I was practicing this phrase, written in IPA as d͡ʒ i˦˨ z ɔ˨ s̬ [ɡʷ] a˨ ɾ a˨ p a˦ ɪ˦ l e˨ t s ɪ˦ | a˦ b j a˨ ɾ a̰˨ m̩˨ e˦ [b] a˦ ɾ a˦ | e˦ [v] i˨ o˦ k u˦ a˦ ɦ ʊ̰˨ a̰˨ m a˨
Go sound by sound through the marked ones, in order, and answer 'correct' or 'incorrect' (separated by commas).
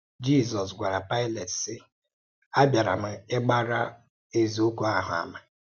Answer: correct, incorrect, incorrect